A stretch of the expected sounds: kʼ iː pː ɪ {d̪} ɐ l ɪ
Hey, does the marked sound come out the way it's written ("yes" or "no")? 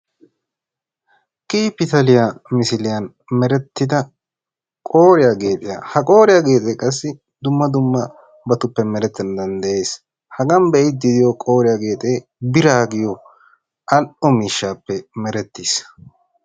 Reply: no